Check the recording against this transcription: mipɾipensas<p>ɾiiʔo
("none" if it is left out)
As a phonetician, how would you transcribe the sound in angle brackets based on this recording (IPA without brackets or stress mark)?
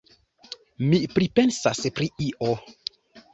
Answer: p